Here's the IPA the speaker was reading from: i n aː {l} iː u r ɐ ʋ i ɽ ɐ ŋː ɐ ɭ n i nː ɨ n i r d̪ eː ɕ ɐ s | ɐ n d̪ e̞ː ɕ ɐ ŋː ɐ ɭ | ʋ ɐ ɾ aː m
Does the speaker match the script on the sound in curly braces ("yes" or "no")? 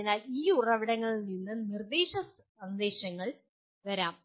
yes